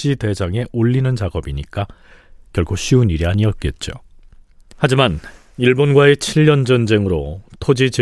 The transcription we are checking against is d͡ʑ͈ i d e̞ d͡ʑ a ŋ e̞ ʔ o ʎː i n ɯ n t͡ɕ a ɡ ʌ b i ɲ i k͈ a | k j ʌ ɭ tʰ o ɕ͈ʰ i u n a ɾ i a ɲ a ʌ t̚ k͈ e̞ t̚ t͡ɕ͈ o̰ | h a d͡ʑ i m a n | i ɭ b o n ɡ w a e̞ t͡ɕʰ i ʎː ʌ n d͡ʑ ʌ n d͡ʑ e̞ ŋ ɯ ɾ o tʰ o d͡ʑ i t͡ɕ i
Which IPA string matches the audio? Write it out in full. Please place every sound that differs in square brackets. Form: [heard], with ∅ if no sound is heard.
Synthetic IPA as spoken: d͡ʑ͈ i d e̞ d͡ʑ a ŋ e̞ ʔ o ʎː i n ɯ n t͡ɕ a ɡ ʌ b i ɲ i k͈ a | k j ʌ ɭ [kʰ] o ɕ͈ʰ i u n [i] ɾ i a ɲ [i] ʌ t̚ k͈ e̞ t̚ t͡ɕ͈ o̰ | h a d͡ʑ i m a n | i ɭ b o n ɡ w a e̞ t͡ɕʰ i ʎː ʌ n d͡ʑ ʌ n d͡ʑ e̞ ŋ ɯ ɾ o tʰ o d͡ʑ i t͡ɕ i